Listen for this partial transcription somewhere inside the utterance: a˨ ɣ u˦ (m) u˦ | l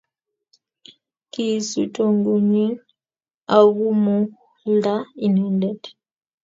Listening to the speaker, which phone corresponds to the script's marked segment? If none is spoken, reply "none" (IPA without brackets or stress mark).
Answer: m